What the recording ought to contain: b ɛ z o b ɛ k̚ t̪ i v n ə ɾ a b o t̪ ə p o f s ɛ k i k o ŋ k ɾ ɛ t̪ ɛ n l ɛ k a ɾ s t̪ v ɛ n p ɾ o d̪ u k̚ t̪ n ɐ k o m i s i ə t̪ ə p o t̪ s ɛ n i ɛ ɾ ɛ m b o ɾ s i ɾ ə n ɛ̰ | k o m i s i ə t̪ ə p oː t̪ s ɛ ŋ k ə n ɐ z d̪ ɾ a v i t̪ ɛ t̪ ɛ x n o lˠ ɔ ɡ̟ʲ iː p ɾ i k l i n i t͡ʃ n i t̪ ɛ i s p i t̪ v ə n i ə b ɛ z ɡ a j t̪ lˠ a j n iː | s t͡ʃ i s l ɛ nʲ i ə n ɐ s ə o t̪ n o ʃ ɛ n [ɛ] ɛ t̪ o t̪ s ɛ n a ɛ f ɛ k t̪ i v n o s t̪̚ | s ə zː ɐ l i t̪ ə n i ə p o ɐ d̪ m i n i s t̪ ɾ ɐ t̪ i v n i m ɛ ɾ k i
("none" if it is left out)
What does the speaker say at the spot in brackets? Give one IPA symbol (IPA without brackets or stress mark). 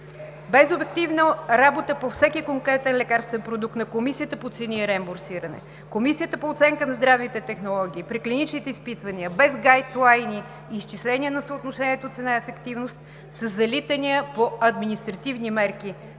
i